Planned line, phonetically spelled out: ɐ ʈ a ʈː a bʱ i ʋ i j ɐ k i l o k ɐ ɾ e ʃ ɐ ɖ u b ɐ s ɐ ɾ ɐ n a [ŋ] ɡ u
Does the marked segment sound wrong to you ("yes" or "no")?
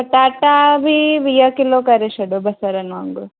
no